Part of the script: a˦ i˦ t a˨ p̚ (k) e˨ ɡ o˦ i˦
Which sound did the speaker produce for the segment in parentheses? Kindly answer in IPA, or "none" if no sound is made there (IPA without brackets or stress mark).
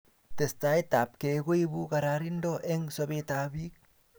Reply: k